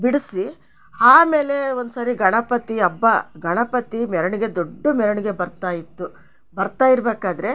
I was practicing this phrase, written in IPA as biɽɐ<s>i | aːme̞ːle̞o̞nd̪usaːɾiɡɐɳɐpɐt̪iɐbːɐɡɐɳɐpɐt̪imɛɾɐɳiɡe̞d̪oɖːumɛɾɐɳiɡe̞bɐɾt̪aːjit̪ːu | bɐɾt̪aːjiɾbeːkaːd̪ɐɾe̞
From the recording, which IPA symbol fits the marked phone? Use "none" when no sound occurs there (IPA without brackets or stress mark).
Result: s